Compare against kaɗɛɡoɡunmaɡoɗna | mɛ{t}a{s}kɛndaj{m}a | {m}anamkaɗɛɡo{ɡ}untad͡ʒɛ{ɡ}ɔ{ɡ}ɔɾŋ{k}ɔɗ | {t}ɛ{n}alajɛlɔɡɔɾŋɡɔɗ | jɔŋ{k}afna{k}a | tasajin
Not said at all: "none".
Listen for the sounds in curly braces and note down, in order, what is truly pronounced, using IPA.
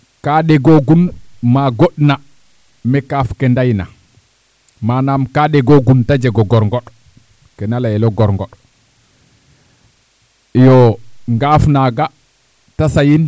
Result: k, f, n, m, ɡ, ɡ, ɡ, ɡ, k, n, ɡ, ɡ

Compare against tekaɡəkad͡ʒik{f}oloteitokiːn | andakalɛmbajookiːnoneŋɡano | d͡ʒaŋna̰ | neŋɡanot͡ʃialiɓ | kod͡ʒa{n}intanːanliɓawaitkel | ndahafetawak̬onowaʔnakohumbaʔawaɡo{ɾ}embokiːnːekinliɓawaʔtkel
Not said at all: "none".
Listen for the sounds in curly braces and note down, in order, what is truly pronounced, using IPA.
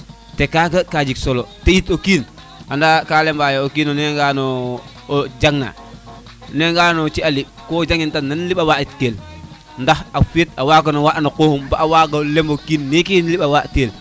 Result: s, ŋ, l

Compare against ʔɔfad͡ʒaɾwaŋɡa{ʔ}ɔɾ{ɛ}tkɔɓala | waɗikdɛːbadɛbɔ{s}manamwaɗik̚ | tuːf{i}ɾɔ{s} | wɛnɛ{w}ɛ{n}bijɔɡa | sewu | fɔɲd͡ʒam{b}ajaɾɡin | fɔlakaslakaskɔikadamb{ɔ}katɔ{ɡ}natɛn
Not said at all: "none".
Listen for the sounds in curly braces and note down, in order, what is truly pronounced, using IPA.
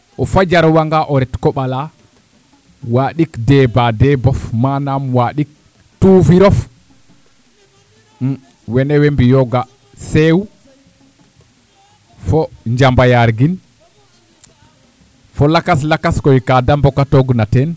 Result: ʔ, ɛ, f, i, f, w, m, b, ɔ, ɡ

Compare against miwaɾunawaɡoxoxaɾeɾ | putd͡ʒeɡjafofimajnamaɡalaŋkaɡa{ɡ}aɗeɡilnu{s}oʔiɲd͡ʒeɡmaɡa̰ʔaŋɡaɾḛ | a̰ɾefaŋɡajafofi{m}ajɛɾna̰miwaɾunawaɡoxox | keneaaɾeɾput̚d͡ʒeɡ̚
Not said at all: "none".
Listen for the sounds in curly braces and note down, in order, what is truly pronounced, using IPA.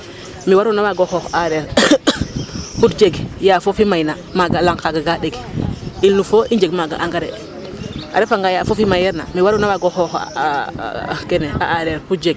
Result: ɡ, f, m

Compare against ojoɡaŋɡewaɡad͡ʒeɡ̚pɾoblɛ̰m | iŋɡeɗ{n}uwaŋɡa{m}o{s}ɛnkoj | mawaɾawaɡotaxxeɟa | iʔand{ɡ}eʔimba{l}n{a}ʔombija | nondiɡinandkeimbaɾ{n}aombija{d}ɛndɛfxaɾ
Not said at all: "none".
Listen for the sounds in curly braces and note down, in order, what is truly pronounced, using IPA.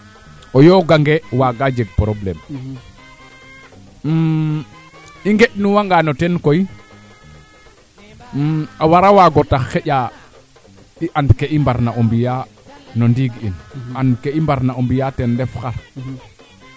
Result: n, n, t, k, ɾ, a, n, t

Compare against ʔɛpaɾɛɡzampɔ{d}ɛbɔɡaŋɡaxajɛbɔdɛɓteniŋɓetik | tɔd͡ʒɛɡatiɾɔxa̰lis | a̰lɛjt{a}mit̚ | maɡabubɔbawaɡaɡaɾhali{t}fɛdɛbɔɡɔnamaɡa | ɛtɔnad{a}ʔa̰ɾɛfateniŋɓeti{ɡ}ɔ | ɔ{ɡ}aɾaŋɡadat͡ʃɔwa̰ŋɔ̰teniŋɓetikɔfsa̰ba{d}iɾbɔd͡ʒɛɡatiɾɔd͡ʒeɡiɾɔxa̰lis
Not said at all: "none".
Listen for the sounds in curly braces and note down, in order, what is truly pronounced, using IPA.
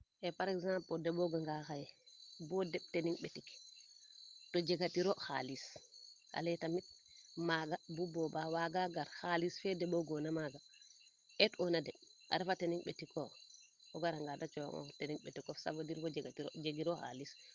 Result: d, a, s, ɛ, k, ɡ, d

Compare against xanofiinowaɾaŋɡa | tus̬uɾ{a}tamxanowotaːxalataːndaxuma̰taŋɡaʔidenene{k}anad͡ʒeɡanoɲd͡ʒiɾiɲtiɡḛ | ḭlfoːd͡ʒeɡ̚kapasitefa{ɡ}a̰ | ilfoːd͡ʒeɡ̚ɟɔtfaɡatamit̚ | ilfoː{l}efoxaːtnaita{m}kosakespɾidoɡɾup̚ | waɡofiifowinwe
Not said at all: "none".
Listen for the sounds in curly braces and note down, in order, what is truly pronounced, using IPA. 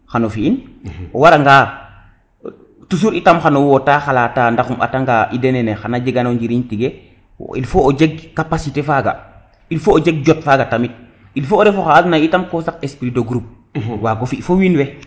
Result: i, x, ɡ, ɾ, m

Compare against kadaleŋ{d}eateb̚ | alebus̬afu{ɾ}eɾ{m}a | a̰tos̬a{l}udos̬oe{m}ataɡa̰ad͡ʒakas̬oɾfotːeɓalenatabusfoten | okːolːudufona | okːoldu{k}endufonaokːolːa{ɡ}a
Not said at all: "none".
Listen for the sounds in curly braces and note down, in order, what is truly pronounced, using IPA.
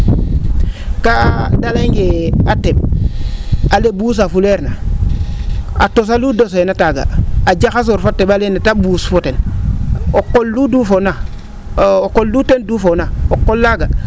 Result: ɡ, l, n, l, n, t, ɡ

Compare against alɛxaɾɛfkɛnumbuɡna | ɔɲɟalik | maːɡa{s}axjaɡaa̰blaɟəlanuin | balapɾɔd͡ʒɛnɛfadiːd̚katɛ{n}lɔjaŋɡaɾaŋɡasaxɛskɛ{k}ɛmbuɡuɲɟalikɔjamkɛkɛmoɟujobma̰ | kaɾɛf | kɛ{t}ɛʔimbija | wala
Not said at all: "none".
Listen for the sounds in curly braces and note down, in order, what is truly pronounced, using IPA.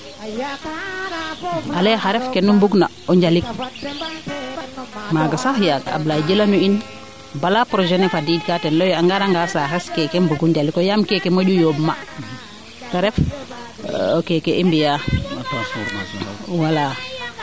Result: s, n, k, k

